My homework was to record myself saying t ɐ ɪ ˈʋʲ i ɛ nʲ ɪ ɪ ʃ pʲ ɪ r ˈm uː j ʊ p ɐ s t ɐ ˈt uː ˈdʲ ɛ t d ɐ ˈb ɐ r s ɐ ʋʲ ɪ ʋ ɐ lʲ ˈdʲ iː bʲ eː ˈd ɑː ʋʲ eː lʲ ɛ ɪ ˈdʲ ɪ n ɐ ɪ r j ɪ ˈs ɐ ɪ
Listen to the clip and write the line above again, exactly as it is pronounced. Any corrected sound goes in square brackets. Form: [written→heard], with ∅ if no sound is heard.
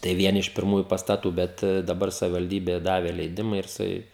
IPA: t ɐ ɪ ˈʋʲ i ɛ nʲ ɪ ɪ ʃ pʲ ɪ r ˈm uː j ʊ p ɐ s t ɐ ˈt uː [ˈdʲ→ˈbʲ] ɛ t d ɐ ˈb ɐ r s ɐ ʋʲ ɪ ʋ ɐ lʲ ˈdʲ iː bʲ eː ˈd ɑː ʋʲ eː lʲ ɛ ɪ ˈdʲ ɪ [n→m] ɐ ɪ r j ɪ ˈs ɐ ɪ